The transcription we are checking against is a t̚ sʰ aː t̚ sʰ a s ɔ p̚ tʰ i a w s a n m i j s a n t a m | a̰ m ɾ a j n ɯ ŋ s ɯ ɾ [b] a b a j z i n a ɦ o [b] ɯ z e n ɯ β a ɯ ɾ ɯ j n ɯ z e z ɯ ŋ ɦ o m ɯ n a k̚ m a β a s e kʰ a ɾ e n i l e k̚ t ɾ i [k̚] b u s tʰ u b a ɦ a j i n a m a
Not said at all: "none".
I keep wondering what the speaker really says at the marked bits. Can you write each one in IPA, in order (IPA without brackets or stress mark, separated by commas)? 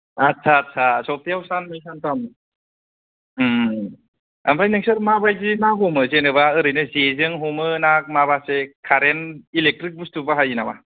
m, m, k̚